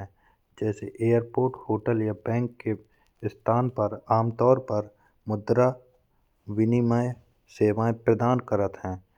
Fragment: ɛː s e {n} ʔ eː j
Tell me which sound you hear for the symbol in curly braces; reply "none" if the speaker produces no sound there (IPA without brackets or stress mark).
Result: none